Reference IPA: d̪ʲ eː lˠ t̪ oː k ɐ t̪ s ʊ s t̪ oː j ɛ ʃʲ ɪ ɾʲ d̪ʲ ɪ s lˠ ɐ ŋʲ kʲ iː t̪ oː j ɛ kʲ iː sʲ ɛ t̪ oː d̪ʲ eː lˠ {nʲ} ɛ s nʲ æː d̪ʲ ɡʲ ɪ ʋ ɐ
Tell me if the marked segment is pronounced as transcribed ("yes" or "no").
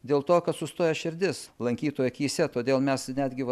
no